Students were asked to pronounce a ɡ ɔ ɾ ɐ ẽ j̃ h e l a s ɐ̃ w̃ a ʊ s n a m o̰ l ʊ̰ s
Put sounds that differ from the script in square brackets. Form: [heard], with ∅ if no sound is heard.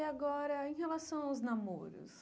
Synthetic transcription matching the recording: a ɡ ɔ ɾ ɐ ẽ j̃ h e l a s ɐ̃ w̃ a ʊ [z] n a m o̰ [ɾ] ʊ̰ s

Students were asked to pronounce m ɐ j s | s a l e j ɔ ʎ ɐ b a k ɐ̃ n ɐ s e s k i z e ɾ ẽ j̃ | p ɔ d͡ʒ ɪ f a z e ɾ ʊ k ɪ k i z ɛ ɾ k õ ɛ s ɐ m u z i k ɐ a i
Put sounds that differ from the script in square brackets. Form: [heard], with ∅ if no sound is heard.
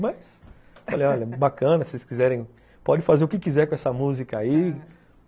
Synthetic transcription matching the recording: m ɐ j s | [f] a l e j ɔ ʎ ɐ b a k ɐ̃ n ɐ s e s k i z [ɛ] ɾ ẽ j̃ | p ɔ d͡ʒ ɪ f a z e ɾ ʊ k ɪ k i z ɛ ɾ k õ ɛ s ɐ m u z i k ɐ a i

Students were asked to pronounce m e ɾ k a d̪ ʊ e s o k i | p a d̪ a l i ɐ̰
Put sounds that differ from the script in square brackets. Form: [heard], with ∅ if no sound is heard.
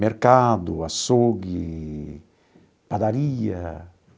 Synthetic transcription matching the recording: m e ɾ k a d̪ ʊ [a] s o [ɡ] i | p a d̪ a [ɾ] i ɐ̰

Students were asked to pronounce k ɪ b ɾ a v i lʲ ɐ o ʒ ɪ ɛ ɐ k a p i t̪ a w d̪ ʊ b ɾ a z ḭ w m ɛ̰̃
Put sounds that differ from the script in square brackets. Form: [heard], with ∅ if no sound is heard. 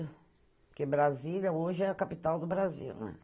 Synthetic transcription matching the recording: k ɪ b ɾ a [z] i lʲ ɐ o ʒ ɪ ɛ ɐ k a p i t̪ a w d̪ ʊ b ɾ a z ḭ w [n] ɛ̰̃

